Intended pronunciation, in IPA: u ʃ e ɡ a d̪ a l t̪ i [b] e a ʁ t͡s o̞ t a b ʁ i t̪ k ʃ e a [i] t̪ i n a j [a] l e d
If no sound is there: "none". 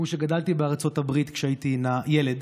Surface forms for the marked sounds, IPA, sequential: b, i, e

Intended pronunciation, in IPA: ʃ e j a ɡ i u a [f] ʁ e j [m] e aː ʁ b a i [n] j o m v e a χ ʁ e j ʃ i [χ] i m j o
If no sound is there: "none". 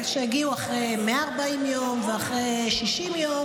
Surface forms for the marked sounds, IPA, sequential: χ, m, m, ʃ

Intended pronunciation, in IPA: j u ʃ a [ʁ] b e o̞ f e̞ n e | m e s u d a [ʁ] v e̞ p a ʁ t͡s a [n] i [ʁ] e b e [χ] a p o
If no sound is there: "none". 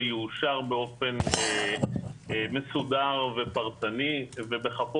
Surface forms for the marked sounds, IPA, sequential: ʁ, ʁ, n, v, χ

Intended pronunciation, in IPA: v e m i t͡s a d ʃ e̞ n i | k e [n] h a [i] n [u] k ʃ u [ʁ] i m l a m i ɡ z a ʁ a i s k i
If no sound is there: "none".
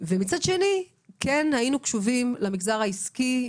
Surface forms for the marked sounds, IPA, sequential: n, i, u, v

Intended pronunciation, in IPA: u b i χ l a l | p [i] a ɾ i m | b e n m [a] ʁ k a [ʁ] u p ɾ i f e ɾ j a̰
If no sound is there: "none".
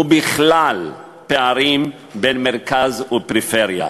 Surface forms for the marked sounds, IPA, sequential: e, e, z

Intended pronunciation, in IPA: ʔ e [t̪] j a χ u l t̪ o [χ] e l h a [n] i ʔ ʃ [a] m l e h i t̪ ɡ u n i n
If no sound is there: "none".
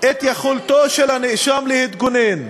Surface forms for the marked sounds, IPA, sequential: t̪, ʃ, n, a

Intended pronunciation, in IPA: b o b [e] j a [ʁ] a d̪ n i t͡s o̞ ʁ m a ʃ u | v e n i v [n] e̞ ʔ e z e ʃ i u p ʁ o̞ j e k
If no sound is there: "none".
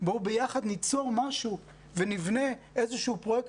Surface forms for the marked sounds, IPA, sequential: e, χ, n

